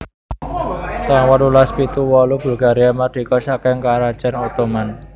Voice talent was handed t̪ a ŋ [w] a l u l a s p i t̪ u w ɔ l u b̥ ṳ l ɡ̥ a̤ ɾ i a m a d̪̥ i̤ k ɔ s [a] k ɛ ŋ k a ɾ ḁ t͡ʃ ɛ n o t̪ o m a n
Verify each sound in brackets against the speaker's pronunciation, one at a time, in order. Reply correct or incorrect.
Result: correct, correct

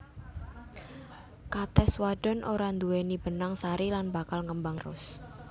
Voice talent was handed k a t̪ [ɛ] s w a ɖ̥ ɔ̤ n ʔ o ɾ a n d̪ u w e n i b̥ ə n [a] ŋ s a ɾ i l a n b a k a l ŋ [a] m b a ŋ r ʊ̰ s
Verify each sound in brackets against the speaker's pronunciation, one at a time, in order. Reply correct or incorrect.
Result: correct, correct, incorrect: ə

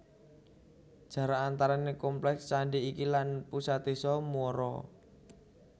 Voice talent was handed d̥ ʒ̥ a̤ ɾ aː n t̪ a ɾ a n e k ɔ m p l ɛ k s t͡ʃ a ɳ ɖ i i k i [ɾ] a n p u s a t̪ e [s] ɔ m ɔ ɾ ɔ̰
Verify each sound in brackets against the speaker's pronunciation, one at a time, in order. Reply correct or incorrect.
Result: incorrect: l, correct

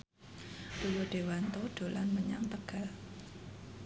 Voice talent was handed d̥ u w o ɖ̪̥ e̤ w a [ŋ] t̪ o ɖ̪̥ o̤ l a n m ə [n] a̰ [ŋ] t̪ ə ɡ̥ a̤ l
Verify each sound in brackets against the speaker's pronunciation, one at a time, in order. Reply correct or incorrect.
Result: incorrect: n, incorrect: ɲ, correct

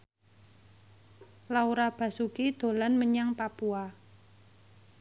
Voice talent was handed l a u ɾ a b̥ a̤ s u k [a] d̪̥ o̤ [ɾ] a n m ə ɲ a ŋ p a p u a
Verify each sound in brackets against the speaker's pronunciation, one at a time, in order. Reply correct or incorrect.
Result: incorrect: i, incorrect: l

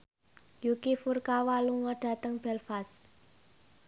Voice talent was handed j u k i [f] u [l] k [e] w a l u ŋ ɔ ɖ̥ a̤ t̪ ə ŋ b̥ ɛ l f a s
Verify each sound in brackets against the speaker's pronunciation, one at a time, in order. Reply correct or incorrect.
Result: correct, incorrect: r, incorrect: a

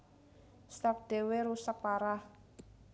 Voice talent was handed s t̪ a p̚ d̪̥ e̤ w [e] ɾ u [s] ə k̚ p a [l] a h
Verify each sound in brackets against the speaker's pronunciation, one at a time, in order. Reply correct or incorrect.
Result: correct, correct, incorrect: ɾ

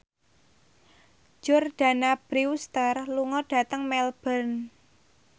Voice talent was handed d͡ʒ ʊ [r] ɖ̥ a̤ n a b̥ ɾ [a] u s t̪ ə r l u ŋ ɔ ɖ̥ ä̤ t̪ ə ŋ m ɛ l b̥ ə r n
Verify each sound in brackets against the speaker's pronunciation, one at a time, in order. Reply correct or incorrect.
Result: correct, incorrect: i

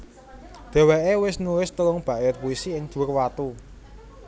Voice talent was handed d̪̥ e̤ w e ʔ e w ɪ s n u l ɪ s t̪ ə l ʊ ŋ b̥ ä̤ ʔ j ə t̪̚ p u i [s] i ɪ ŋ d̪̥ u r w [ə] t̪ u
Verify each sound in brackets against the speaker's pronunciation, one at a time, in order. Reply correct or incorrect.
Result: correct, incorrect: a

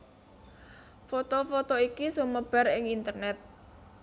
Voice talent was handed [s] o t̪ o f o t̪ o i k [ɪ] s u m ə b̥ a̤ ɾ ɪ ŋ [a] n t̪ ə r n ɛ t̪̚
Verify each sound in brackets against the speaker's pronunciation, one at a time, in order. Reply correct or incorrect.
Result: incorrect: f, incorrect: i, incorrect: i

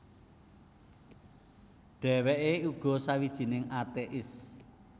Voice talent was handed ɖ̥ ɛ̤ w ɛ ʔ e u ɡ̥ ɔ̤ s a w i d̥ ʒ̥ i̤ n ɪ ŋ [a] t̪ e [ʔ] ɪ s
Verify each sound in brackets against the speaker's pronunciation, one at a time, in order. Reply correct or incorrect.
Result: correct, correct

